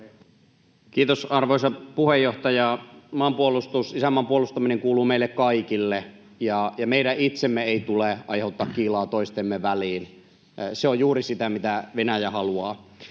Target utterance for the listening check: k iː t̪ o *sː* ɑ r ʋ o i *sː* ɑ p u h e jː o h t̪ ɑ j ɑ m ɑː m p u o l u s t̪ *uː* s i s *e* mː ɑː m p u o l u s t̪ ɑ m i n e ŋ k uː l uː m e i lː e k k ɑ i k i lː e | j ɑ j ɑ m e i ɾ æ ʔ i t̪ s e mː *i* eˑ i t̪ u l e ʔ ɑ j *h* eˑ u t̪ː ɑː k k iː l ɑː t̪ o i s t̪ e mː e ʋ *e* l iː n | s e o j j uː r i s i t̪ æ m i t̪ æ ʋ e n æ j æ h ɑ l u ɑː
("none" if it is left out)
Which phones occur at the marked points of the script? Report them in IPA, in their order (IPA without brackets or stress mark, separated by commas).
s, s, u, æ, e, h, æ